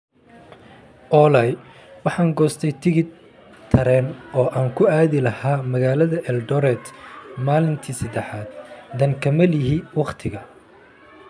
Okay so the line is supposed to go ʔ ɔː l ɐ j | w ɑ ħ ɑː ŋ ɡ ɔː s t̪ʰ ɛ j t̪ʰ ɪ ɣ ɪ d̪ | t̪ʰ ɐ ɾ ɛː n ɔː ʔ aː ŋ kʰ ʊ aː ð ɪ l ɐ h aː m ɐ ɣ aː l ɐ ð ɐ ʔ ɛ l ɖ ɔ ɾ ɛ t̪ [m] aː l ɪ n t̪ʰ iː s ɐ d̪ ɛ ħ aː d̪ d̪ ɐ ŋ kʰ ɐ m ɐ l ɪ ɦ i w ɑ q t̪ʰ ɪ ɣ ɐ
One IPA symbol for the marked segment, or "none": m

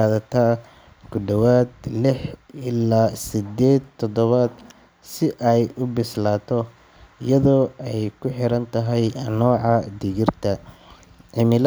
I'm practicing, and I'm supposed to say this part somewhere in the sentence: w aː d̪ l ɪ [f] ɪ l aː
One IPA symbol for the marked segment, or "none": ħ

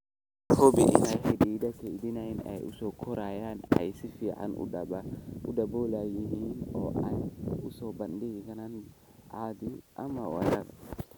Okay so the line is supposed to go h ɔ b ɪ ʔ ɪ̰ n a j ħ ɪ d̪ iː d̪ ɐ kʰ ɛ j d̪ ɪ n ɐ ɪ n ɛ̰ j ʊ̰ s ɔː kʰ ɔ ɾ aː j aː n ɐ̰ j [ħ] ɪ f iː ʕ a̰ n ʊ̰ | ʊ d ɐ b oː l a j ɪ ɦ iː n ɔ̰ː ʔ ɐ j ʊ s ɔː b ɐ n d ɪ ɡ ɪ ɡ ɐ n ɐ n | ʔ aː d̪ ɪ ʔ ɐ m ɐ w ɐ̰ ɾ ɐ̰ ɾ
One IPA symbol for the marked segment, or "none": s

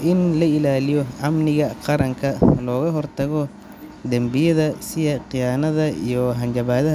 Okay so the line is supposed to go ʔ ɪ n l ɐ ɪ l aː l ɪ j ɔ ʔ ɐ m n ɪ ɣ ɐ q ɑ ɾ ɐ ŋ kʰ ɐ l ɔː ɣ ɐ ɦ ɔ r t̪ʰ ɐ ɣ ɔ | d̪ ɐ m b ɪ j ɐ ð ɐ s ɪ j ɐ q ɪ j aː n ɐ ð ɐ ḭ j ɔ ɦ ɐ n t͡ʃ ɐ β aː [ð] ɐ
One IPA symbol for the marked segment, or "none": ð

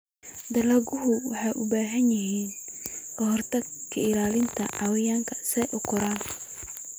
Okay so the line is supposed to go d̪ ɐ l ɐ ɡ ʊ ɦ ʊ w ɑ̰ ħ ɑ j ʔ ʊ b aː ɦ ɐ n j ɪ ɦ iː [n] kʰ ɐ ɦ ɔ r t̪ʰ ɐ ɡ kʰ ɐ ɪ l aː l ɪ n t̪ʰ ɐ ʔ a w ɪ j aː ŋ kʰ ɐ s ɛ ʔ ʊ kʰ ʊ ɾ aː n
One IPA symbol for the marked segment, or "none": n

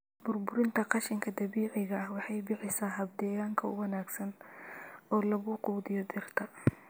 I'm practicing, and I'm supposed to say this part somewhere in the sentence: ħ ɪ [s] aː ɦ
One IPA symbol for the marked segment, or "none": s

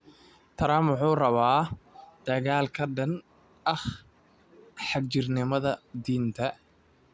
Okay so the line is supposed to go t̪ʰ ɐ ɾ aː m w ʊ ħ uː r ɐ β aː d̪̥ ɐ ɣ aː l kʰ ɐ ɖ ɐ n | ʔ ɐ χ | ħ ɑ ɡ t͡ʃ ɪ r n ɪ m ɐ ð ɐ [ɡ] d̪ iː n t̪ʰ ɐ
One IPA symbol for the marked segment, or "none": none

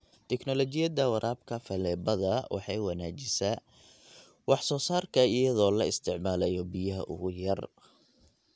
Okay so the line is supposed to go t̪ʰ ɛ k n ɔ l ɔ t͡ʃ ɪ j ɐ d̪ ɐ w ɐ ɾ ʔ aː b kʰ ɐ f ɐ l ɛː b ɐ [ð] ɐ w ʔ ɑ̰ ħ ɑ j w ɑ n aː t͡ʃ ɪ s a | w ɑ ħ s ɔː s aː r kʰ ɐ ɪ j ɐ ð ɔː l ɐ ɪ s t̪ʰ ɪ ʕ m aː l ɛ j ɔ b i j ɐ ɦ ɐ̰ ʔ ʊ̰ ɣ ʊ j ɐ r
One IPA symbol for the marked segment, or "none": ð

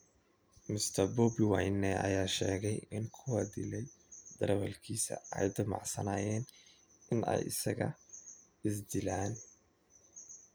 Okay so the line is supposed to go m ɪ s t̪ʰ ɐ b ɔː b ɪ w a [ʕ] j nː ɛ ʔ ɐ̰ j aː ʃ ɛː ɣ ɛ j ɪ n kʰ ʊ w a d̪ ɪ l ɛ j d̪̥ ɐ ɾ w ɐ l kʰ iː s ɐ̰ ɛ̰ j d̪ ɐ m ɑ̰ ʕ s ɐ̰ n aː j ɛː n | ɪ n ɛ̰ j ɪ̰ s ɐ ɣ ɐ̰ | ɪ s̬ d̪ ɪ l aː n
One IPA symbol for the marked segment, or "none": none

